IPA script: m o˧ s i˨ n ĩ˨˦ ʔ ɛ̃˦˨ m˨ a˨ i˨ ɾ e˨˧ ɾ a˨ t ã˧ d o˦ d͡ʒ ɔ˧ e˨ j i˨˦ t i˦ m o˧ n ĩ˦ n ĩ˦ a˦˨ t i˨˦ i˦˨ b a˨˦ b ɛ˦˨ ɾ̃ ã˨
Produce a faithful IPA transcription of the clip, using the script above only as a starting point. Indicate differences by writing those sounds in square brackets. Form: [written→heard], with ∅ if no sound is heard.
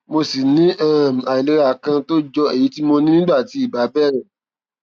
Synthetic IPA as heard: m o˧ s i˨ n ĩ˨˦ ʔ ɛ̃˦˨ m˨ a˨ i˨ [ɾ→l] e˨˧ ɾ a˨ [t→k] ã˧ [d→t] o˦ d͡ʒ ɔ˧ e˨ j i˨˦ t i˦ m o˧ n ĩ˦ n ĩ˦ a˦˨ t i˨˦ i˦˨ b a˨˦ b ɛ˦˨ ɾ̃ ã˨